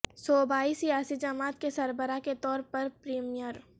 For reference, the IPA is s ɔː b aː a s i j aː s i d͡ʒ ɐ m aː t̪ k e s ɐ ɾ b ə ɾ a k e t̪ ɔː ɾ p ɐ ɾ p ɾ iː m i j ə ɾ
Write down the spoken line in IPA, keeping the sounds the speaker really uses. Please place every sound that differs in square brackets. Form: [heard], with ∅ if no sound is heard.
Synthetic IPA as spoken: s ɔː b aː [i] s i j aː s i d͡ʒ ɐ m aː t̪ k e s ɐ ɾ b ə ɾ a k e t̪ ɔː ɾ p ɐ ɾ p ɾ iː m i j ə ɾ

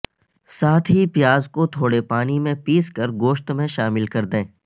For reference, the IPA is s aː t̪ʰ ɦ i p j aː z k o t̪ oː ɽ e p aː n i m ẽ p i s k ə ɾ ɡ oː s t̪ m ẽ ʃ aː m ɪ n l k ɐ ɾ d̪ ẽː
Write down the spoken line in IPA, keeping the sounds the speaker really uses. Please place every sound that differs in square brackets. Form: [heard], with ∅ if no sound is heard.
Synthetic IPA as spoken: s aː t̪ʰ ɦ i p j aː z k o [t̪ʰ] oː ɽ e p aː n i m ẽ p [iː] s k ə ɾ ɡ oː [ʃ] t̪ m ẽ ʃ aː m ɪ [∅] l k ɐ ɾ d̪ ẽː

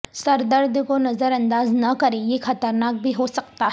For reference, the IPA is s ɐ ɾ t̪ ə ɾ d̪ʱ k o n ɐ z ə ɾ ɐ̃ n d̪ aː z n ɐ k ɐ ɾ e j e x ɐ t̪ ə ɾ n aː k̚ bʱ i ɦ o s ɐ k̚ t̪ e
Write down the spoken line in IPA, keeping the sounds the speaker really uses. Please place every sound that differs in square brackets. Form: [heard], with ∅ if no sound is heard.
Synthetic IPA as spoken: s ɐ ɾ [d̪] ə ɾ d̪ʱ k o n ɐ z ə ɾ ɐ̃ n d̪ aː z n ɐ k ɐ ɾ e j e x ɐ t̪ ə ɾ n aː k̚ bʱ i ɦ o s ɐ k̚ t̪ [a]

